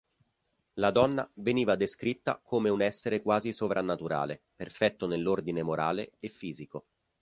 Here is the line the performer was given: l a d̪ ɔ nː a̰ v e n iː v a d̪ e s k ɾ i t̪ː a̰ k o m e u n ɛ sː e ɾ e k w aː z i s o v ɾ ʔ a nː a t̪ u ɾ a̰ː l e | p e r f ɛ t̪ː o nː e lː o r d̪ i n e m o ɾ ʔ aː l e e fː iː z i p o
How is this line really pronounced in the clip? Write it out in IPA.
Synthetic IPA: l a d̪ ɔ nː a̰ v e n iː v a d̪ e s k ɾ i t̪ː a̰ k o m e u n ɛ sː e ɾ e k w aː z i s o v ɾ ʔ a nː a t̪ u ɾ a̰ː l e | p e r f ɛ t̪ː o n e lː o r d̪ i n e m o ɾ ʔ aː l e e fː iː z i k o